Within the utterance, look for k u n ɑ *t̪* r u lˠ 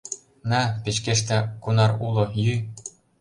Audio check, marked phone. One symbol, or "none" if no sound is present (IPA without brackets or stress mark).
none